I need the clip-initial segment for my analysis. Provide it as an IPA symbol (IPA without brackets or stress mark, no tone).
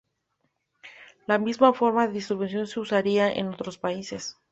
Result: l